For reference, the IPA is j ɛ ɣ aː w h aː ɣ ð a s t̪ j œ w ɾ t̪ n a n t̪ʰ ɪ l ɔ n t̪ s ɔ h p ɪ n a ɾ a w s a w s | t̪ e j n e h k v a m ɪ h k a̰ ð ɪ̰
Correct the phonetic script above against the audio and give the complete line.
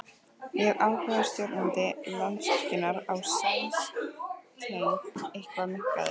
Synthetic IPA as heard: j ɛ ɣ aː w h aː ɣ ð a s t̪ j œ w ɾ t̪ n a n t̪ ɪ l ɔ n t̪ s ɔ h c ɪ n a ɾ a w s a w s | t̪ e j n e h k v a m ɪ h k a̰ ð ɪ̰